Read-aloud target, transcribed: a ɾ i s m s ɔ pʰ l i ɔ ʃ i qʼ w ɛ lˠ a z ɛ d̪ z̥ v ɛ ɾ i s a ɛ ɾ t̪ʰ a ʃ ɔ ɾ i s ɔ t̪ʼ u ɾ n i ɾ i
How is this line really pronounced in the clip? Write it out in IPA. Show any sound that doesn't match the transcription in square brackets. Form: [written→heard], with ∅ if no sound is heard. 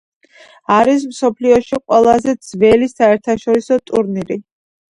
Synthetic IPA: a ɾ i s m s ɔ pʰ l i ɔ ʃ i qʼ w ɛ lˠ a z ɛ d̪ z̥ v ɛ [ɾ→l] i s a ɛ ɾ t̪ʰ a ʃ ɔ ɾ i s ɔ t̪ʼ u ɾ n i ɾ i